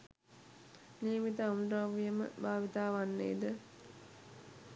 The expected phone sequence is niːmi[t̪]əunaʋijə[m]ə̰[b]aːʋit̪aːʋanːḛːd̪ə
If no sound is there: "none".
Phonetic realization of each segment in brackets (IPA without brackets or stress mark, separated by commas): t̪, m, b